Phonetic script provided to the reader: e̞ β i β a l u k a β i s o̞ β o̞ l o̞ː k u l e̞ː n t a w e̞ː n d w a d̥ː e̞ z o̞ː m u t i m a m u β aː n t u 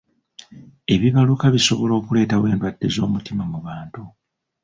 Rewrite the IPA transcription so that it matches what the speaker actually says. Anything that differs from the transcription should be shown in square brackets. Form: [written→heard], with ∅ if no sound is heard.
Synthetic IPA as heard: e̞ β i β a l u k a β i s o̞ β o̞ l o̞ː k u l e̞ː [n→∅] t a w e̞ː n d w a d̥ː e̞ z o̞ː m u t i m a m u β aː n t u